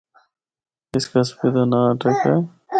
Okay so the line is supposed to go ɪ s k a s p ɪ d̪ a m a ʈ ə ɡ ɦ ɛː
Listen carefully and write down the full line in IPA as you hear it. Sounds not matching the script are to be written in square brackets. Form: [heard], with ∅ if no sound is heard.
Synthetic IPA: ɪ s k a s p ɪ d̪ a [n] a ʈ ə [k] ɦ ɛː